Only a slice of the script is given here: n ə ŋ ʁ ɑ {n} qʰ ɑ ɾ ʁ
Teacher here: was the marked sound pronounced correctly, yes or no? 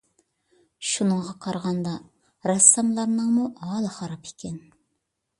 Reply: no